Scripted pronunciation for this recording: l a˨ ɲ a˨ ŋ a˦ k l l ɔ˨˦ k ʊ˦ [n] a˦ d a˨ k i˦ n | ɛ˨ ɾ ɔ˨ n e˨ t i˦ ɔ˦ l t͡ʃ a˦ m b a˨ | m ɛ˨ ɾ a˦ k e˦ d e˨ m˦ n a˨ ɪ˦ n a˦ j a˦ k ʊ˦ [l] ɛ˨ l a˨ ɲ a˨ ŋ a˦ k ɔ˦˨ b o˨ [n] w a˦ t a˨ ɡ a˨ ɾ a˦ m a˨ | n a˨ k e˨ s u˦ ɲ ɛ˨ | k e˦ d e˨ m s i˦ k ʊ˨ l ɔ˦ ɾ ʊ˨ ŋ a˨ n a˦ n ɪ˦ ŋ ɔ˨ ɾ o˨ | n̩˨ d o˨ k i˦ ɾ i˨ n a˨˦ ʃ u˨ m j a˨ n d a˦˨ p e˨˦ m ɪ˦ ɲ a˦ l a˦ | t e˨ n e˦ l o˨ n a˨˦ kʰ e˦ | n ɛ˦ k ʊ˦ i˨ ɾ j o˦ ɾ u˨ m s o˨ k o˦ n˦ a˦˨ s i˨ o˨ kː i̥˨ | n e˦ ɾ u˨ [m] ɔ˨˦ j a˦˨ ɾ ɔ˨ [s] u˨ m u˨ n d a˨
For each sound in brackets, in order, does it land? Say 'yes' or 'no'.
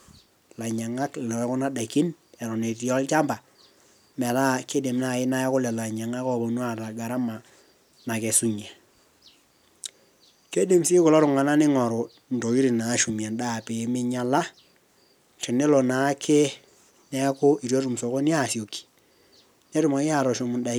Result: yes, yes, yes, yes, no

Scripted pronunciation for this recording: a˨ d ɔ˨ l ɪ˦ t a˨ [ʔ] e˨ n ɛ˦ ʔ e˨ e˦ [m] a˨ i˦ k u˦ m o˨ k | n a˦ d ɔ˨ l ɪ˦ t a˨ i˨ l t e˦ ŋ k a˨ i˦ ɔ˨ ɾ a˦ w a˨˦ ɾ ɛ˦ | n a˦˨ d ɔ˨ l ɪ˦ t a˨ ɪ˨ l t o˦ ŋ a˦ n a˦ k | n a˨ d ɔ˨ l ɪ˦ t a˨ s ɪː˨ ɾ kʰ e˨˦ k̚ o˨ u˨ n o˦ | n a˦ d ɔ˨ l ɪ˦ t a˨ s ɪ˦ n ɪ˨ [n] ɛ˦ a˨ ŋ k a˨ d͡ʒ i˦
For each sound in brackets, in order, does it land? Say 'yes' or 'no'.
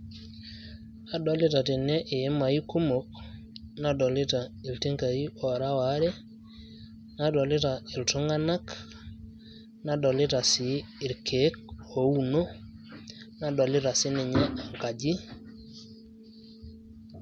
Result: no, yes, no

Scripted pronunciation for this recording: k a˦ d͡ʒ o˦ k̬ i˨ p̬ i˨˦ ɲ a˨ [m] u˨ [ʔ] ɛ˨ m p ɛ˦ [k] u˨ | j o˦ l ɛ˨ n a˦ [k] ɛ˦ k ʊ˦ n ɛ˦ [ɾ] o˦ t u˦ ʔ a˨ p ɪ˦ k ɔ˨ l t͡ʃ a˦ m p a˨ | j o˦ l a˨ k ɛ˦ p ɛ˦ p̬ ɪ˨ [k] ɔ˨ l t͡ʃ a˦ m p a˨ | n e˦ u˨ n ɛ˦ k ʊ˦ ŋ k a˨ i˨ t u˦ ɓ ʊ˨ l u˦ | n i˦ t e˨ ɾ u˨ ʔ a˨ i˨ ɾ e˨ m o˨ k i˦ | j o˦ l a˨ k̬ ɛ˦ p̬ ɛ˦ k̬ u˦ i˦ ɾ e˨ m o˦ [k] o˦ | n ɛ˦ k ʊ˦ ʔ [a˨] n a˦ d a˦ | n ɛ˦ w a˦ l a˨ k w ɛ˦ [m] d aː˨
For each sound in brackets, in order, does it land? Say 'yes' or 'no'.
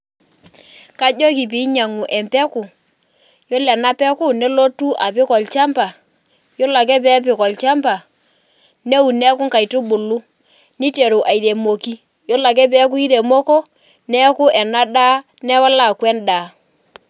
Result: no, yes, yes, no, no, yes, yes, no, no

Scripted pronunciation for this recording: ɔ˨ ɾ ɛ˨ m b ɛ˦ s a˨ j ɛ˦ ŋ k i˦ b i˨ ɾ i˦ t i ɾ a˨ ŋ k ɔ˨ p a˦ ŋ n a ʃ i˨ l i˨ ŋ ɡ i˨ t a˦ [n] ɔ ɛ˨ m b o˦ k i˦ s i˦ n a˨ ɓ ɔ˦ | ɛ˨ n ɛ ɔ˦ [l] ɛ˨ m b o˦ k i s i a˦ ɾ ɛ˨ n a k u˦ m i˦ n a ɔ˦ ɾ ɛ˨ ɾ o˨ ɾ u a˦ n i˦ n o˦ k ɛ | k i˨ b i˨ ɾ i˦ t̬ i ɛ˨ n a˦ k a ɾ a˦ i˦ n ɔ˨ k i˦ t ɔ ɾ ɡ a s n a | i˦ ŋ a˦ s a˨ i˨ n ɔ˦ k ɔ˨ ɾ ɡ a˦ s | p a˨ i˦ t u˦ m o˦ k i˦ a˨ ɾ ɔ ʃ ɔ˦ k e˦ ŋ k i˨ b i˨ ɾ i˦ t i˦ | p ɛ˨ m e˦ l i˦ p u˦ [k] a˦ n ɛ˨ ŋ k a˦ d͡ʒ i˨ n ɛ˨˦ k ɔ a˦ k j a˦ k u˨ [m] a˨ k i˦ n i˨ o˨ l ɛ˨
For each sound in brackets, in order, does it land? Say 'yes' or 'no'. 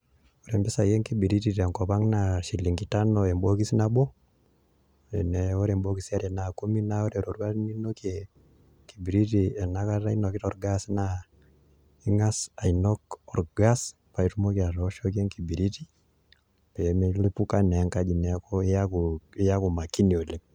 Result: yes, no, yes, yes

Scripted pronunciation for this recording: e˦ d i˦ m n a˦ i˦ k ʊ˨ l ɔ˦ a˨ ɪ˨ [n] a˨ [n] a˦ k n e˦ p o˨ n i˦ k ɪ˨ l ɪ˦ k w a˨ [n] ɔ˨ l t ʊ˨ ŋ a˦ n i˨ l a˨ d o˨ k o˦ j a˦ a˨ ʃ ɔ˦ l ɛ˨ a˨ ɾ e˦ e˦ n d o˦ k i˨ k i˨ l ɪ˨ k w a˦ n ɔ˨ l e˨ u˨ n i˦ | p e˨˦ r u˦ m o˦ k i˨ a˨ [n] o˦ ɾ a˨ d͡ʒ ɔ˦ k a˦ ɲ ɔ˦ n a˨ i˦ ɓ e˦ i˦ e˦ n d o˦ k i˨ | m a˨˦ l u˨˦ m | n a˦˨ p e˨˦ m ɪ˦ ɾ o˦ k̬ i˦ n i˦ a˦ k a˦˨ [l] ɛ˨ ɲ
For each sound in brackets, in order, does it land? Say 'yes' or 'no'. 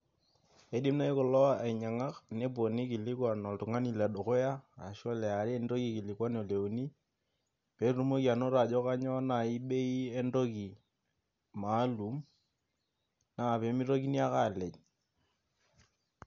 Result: no, no, yes, yes, yes

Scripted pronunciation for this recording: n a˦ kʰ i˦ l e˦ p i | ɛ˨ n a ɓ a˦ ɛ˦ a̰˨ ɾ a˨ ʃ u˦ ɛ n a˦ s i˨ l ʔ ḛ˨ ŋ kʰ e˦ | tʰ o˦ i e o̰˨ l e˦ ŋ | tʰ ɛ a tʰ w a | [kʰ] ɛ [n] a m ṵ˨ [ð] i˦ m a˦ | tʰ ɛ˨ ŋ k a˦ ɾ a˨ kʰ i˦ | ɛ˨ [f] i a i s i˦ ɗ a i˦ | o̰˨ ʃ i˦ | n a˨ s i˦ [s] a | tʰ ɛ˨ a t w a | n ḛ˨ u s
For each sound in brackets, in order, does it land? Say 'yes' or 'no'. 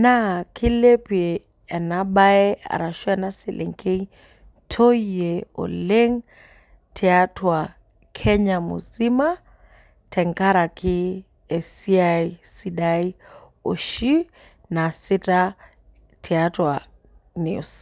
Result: yes, no, no, no, no

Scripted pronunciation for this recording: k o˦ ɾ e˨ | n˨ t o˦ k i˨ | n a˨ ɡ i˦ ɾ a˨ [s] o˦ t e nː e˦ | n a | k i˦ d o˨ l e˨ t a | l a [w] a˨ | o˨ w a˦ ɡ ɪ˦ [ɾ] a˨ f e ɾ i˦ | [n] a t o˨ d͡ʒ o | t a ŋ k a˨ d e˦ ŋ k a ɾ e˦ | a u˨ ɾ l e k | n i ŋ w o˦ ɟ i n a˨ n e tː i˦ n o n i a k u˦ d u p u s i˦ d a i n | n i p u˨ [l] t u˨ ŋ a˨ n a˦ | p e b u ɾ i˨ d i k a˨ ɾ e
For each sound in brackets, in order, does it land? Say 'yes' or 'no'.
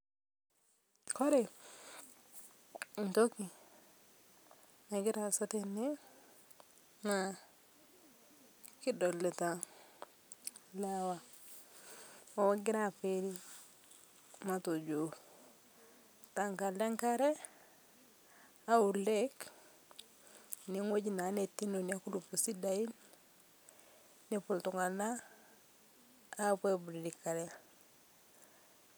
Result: yes, yes, yes, no, yes

